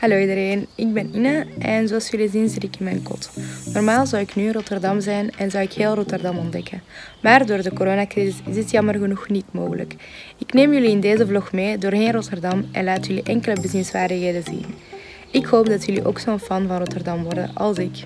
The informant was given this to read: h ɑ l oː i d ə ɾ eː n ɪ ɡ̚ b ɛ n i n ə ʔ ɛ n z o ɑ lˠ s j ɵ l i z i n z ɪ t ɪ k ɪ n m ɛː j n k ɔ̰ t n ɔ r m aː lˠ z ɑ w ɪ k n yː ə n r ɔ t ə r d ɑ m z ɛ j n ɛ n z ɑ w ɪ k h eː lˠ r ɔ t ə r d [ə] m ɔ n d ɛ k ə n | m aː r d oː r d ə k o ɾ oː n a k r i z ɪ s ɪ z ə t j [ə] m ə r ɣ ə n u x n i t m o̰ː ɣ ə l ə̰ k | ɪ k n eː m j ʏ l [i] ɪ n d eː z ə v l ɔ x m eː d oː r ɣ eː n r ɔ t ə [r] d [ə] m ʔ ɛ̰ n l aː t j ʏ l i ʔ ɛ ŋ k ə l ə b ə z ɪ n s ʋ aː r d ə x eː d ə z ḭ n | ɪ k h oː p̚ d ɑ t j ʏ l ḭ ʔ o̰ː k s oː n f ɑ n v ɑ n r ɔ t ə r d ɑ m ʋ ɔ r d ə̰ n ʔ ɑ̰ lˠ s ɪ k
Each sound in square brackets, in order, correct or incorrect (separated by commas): incorrect, incorrect, correct, correct, incorrect